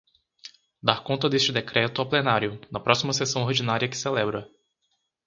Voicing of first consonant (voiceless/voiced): voiced